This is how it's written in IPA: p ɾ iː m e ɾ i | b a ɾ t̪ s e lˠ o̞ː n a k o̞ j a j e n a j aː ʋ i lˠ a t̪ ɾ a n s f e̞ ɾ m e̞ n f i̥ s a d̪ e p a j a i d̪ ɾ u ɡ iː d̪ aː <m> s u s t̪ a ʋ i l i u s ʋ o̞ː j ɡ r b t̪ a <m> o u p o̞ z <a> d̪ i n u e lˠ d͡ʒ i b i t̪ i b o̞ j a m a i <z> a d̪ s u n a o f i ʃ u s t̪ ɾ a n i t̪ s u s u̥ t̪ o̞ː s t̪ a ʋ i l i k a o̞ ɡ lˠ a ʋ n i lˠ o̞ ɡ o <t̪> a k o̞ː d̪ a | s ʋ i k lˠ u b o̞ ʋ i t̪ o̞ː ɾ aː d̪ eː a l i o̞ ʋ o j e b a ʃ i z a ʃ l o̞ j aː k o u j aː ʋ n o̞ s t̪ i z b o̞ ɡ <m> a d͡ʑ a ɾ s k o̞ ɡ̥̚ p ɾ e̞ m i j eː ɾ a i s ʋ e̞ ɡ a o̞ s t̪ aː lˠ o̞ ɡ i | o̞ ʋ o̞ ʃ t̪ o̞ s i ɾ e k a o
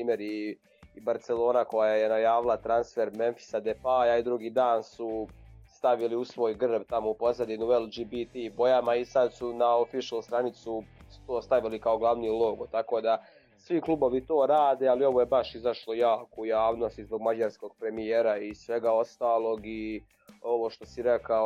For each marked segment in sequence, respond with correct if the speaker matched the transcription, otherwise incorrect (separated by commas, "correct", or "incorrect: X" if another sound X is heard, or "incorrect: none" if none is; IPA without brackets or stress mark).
incorrect: n, correct, correct, incorrect: s, correct, correct